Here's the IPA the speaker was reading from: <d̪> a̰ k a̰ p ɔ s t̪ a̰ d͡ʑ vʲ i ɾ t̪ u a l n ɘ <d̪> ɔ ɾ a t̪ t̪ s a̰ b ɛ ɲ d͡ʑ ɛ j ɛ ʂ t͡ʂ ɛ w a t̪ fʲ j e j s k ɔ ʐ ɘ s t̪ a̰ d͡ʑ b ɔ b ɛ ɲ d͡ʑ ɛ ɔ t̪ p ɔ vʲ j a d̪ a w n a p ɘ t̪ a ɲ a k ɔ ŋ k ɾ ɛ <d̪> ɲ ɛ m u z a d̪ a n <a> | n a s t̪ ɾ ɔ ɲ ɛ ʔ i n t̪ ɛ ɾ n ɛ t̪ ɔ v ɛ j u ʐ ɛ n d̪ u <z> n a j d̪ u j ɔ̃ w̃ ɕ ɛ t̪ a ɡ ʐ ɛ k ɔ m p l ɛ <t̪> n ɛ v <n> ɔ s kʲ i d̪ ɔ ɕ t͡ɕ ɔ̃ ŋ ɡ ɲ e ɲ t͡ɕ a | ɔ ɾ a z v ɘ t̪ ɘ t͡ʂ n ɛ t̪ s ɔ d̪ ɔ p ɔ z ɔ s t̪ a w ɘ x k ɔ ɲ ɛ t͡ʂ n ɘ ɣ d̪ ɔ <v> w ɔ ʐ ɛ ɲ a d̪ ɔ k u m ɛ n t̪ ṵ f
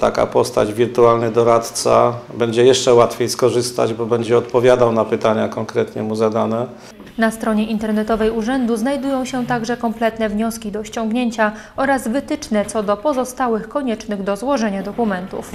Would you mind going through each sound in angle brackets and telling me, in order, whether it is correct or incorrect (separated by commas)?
incorrect, correct, incorrect, incorrect, correct, correct, incorrect, incorrect